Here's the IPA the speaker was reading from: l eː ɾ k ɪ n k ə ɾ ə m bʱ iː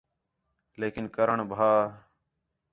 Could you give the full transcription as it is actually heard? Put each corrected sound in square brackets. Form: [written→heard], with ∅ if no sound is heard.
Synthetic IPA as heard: l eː [ɾ→∅] k ɪ n k ə ɾ ə [m→ɳ] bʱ [iː→aː]

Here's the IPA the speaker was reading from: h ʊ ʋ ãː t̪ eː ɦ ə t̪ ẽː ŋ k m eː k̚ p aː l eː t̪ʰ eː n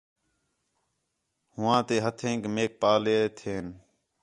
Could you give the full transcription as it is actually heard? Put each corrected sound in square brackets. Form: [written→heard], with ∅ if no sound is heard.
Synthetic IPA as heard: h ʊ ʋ ãː t̪ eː ɦ ə [t̪→t̪ʰ] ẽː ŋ k m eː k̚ p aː l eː t̪ʰ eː n

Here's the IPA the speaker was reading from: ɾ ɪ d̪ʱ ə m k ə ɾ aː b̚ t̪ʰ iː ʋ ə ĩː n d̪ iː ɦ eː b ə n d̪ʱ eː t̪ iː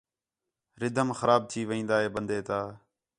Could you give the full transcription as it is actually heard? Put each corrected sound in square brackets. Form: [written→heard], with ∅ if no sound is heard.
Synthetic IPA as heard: ɾ ɪ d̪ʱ ə m [k→x] ə ɾ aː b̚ t̪ʰ iː ʋ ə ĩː n d̪ [iː→aː] ɦ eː b ə n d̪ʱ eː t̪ [iː→aː]

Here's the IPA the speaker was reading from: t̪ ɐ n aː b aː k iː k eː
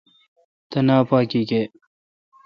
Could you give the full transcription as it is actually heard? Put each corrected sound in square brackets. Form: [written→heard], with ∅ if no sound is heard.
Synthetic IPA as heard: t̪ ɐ n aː [b→p] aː k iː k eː

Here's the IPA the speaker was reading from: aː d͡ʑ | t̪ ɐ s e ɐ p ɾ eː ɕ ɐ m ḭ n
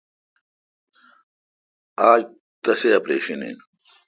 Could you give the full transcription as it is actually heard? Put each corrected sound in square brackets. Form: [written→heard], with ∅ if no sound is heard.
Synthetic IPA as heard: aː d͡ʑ | t̪ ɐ s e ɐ p ɾ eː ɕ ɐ [m→n] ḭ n

